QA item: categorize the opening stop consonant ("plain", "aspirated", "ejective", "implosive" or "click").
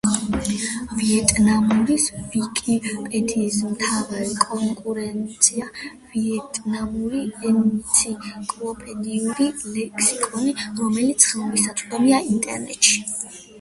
ejective